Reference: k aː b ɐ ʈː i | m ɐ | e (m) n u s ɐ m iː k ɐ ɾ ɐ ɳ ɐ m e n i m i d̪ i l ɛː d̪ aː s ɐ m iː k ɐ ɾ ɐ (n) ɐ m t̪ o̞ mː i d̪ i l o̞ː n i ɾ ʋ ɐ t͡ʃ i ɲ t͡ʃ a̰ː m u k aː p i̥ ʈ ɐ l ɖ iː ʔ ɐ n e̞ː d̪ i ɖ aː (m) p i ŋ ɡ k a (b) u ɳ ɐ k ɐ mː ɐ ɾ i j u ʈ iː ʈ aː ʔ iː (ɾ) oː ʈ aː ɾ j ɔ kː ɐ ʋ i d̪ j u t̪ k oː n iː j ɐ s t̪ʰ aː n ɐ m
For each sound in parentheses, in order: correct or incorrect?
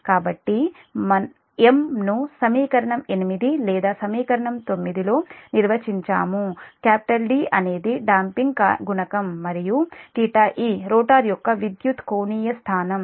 correct, incorrect, correct, incorrect, correct

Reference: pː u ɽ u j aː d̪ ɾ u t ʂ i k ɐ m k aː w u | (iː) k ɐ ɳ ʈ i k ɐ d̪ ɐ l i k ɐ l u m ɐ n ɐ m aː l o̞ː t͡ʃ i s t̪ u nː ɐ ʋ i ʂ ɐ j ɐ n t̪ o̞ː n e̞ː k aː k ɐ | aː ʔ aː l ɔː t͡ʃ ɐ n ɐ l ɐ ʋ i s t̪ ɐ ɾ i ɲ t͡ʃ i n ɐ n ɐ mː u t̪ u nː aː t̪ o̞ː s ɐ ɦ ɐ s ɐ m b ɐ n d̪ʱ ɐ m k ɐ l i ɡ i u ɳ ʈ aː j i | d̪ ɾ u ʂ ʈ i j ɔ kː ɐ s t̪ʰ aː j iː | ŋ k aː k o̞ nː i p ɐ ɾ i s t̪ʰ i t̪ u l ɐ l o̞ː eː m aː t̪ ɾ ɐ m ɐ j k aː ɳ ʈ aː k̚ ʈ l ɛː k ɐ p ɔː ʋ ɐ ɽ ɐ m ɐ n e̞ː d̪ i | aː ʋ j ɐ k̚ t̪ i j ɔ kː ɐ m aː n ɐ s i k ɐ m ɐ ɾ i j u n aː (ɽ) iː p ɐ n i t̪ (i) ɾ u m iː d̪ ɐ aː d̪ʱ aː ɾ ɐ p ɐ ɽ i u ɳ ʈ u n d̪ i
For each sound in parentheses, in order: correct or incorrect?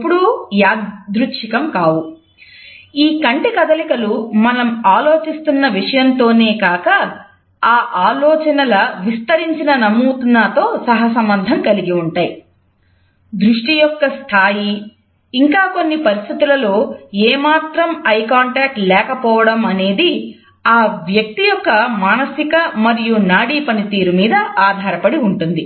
correct, correct, incorrect

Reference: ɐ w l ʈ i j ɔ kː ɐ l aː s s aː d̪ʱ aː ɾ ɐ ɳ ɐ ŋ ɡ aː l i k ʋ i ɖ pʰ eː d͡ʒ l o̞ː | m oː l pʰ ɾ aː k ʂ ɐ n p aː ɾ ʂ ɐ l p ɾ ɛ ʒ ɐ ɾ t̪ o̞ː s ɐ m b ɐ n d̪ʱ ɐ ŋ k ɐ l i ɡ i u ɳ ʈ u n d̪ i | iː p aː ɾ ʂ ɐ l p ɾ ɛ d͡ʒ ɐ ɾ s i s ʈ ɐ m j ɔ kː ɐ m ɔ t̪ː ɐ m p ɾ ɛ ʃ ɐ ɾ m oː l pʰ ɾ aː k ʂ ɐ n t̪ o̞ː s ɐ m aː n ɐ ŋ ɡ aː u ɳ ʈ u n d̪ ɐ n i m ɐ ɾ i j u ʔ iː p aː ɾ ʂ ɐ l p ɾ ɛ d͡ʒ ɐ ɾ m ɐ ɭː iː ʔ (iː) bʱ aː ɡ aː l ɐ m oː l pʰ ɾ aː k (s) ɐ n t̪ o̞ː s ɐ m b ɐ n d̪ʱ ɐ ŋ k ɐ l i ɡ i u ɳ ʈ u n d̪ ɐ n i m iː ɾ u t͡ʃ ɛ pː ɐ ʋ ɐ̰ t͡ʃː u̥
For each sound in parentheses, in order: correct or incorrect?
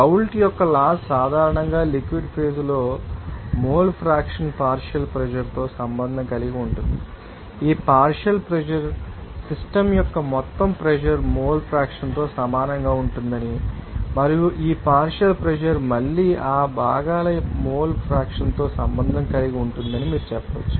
incorrect, incorrect

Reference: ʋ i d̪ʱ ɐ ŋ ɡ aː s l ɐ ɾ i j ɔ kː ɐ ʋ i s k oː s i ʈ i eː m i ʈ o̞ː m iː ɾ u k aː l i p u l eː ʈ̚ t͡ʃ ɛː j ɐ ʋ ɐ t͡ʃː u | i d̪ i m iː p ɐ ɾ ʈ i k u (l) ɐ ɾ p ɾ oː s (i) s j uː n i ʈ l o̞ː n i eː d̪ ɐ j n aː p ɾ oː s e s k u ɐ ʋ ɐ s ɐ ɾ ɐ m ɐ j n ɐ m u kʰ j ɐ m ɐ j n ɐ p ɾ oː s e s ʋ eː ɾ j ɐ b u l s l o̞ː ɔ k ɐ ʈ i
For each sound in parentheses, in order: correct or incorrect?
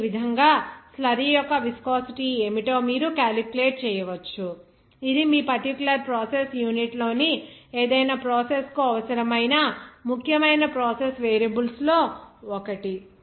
correct, incorrect

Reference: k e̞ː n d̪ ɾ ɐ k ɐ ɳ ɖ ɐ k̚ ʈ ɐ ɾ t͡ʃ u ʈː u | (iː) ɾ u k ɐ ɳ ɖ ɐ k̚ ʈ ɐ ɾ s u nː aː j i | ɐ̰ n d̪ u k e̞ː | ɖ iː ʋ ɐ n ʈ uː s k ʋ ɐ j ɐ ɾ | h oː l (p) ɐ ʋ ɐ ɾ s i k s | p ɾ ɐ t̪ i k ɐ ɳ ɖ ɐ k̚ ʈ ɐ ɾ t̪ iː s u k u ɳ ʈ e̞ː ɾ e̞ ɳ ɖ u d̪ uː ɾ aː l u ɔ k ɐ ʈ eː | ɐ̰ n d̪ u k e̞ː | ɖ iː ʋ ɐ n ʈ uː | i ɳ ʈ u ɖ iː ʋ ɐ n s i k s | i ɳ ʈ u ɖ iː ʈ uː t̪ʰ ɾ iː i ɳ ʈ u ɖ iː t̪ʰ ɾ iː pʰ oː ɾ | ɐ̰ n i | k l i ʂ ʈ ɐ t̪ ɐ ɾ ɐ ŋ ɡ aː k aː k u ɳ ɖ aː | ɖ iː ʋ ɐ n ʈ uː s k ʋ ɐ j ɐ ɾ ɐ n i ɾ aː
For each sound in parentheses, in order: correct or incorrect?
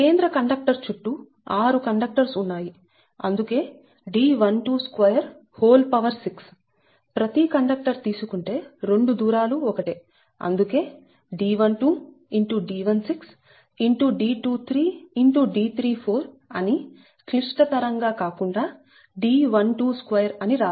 incorrect, correct

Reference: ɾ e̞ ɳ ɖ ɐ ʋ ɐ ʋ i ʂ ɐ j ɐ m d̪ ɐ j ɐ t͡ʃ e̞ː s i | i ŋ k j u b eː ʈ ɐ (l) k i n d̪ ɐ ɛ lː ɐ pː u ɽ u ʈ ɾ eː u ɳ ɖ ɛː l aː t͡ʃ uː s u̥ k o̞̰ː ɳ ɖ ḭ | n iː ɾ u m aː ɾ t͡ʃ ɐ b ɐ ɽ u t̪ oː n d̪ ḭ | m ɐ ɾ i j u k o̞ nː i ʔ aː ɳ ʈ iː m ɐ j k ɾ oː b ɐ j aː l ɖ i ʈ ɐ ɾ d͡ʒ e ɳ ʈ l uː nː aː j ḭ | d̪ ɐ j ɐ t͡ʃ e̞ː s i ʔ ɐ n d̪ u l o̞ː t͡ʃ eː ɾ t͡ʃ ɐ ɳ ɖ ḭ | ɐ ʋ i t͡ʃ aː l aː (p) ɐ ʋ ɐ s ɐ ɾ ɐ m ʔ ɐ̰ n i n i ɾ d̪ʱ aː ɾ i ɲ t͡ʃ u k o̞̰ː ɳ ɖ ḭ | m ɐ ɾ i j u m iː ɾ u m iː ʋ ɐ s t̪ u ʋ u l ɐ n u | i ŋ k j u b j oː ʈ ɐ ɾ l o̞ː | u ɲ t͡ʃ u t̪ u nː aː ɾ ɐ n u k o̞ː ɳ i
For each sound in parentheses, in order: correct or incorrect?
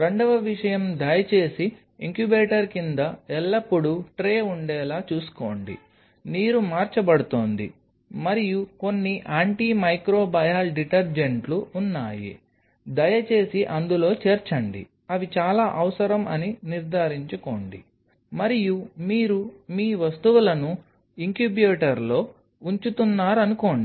incorrect, incorrect

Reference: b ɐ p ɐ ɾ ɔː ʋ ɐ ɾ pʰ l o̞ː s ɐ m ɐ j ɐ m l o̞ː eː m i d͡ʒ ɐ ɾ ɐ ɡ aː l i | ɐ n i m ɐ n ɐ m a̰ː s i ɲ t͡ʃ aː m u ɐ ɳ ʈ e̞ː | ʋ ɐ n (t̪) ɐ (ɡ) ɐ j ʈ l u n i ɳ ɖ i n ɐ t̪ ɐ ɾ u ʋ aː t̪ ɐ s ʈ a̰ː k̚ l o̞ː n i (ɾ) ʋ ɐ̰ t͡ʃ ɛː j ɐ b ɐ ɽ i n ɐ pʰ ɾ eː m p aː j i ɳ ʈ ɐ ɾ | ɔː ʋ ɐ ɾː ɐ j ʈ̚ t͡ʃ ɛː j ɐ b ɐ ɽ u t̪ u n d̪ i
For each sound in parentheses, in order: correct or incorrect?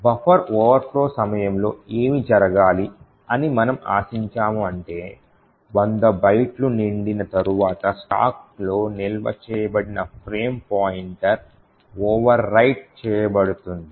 incorrect, incorrect, incorrect

